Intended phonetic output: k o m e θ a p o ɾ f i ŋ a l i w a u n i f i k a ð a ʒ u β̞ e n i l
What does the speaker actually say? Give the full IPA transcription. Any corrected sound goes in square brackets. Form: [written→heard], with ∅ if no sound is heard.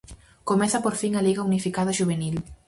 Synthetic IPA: k o m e θ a p o ɾ f i ŋ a l i [w→ɣ] a u n i f i k a ð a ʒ u β̞ e n i l